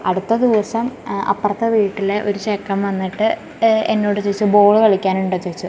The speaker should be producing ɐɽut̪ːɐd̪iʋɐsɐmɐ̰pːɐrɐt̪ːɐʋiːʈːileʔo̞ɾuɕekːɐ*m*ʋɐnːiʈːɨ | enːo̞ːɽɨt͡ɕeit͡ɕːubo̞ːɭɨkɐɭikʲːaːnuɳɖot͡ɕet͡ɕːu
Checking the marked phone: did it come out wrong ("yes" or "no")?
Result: no